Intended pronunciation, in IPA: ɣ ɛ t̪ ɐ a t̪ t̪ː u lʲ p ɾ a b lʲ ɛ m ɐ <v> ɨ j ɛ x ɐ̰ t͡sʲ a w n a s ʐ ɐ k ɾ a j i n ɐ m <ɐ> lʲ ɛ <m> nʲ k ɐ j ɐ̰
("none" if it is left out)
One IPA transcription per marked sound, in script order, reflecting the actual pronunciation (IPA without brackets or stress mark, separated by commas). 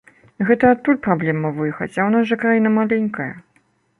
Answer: v, a, none